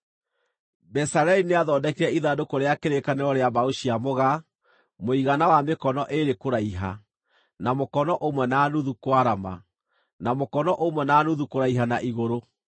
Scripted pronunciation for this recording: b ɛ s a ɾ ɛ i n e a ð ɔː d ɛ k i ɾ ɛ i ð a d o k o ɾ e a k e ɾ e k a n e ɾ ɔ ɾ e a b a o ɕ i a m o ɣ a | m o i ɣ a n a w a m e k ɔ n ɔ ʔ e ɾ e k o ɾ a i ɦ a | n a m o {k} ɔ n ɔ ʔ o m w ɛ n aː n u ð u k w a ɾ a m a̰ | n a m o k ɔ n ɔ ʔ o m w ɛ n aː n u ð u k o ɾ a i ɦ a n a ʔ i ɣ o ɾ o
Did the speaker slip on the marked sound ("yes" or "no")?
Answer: no